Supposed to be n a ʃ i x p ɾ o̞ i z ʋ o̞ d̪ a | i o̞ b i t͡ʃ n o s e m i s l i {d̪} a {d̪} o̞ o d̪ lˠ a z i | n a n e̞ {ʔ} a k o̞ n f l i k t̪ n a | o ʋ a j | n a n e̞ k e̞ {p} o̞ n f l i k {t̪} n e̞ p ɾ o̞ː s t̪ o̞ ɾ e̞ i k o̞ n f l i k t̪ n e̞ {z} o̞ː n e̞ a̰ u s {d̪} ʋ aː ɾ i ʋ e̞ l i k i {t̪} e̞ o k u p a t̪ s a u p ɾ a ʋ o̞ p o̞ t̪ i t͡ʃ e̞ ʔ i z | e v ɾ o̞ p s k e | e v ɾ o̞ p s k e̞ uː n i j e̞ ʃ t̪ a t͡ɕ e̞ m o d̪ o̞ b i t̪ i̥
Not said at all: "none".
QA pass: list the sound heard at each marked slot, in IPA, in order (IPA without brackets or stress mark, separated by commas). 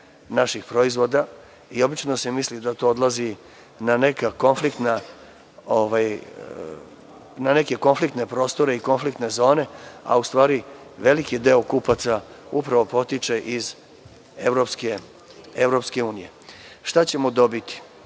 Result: d̪, t̪, k, k, t̪, z, t̪, d̪